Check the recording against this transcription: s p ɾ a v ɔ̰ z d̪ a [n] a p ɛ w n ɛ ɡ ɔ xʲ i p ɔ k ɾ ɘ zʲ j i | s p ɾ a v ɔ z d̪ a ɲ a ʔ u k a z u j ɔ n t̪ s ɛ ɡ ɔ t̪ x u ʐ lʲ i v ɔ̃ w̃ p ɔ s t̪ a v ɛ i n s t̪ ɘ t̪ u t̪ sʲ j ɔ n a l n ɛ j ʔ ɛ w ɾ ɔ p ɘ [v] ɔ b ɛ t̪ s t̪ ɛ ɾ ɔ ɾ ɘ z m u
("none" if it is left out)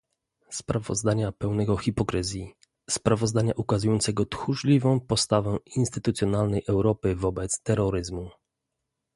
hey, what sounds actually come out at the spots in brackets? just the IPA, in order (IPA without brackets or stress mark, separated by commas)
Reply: ɲ, v